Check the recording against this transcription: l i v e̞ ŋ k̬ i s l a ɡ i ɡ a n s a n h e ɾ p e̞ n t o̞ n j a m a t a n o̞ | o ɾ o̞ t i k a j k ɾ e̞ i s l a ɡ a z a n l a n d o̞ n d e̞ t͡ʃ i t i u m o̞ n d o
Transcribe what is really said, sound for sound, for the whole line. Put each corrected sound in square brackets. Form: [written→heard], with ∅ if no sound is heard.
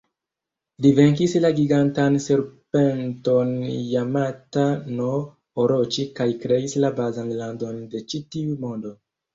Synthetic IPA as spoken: l i v e̞ ŋ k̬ i s l a ɡ i ɡ a n [s→t] a n [h→s] e ɾ p e̞ n t o̞ n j a m a t a n o̞ | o ɾ o̞ [t→t͡ʃ] i k a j k ɾ e̞ i s l a [ɡ→b] a z a n l a n d o̞ n d e̞ t͡ʃ i t i u m o̞ n d o